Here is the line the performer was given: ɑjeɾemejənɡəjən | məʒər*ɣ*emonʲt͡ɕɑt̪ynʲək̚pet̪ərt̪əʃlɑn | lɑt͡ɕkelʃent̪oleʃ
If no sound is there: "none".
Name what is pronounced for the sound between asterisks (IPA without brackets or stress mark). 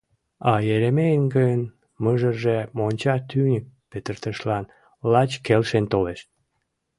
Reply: ʒ